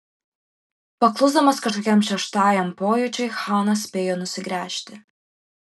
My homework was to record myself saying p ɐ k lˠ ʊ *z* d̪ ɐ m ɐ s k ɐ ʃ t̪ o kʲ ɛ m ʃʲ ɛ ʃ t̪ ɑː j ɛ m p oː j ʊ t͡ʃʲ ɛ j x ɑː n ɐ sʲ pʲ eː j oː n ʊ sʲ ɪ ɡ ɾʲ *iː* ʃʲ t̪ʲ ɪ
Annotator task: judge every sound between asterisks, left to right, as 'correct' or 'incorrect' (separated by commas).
correct, incorrect